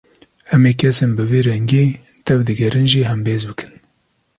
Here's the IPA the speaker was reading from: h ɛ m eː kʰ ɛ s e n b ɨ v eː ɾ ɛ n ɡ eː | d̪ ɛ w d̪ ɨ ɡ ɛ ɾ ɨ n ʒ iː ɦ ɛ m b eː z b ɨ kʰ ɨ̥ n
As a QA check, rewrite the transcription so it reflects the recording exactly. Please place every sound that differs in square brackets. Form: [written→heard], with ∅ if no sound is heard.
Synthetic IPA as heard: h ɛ m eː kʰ ɛ s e n b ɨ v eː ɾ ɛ [n→ŋ] ɡ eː | [d̪→t̪] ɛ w d̪ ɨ ɡ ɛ ɾ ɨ n ʒ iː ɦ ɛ m b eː z b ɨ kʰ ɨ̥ n